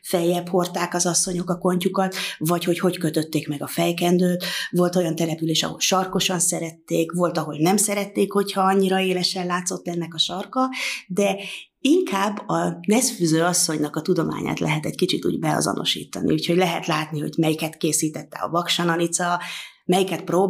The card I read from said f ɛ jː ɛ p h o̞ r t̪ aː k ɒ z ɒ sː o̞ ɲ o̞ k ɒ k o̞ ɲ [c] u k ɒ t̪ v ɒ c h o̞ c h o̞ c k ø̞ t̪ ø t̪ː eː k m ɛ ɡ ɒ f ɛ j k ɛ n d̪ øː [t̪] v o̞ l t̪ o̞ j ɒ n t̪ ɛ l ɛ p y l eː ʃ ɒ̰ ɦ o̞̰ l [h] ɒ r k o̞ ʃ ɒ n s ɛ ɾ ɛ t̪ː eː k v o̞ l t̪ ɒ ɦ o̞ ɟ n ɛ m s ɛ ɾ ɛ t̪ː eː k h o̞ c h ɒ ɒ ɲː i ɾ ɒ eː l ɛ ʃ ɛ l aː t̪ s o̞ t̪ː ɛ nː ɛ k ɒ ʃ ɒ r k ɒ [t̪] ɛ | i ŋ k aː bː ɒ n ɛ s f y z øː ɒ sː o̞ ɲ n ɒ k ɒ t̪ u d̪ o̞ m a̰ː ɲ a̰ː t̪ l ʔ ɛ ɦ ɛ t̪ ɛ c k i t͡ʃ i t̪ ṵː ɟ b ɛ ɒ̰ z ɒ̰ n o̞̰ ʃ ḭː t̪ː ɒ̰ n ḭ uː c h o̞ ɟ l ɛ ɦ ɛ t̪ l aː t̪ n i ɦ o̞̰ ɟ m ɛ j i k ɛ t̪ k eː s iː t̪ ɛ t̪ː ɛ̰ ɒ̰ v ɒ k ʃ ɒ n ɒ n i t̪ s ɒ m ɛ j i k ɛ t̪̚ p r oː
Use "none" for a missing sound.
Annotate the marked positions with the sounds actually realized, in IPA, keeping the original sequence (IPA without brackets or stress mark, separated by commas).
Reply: c, t̪, ʃ, d̪